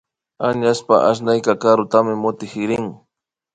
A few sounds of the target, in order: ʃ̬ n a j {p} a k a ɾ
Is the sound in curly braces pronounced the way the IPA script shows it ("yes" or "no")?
no